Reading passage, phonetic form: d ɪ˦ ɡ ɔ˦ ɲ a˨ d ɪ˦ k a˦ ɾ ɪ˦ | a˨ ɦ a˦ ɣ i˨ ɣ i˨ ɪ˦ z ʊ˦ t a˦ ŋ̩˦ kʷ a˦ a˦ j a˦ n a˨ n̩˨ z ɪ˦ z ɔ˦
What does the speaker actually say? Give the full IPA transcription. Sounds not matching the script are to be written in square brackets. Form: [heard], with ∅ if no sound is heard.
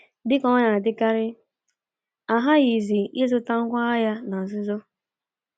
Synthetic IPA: d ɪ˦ [k] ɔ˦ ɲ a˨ d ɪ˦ k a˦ ɾ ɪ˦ | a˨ ɦ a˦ ɣ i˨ [z] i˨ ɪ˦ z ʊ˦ t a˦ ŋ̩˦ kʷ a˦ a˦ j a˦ n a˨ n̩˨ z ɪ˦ z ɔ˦